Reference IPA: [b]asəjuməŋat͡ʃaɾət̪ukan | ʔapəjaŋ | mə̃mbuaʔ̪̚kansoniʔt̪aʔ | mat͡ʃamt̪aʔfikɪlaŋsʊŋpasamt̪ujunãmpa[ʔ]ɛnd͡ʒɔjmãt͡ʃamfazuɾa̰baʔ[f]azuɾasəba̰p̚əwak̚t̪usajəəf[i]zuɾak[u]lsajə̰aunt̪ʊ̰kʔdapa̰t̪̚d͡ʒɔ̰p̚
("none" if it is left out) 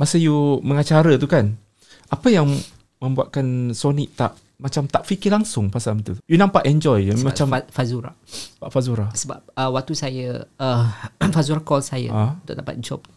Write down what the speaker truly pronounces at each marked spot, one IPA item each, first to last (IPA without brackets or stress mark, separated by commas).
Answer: m, ʔ, f, a, ɔ